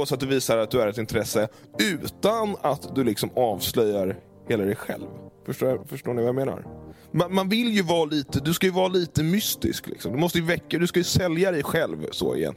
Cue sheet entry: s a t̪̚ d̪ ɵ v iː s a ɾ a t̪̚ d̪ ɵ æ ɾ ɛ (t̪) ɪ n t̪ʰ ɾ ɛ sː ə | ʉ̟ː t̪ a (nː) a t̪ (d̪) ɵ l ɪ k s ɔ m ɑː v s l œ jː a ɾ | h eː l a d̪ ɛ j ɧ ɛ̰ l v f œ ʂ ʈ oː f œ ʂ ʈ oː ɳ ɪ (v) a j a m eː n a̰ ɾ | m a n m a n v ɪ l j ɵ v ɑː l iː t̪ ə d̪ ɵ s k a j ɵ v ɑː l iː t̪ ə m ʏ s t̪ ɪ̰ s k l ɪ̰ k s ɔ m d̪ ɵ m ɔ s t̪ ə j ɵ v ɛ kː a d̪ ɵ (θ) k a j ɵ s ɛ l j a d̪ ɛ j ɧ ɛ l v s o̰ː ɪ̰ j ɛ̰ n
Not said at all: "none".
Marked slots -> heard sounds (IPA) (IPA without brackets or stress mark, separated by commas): t̪, n, d̪, v, s